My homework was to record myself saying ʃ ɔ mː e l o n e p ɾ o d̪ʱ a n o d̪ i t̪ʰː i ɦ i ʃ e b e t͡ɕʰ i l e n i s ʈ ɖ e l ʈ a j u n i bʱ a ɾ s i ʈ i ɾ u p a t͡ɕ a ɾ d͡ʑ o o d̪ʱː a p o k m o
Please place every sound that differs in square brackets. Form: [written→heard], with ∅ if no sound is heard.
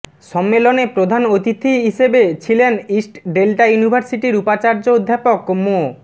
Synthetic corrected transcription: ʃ ɔ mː e l o n e p ɾ o d̪ʱ a n o [d̪→t̪] i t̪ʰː i ɦ i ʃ e b e t͡ɕʰ i l e n i s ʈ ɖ e l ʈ a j u n i bʱ a ɾ s i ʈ i ɾ u p a t͡ɕ a ɾ d͡ʑ o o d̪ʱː a p o k m o